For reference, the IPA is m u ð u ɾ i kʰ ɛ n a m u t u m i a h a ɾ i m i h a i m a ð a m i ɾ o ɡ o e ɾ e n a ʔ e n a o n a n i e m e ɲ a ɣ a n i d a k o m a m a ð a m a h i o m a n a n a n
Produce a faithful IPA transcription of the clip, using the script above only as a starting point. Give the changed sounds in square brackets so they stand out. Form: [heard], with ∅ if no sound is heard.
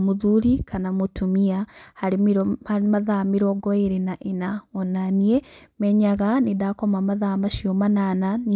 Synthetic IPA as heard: m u ð u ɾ i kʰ [a] n a m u t u m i a h a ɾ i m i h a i m a ð a m i ɾ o ɡ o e ɾ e n a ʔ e n a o n a n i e m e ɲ a ɣ a n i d a k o m a m a ð a m a [ʃ] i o m a n a n a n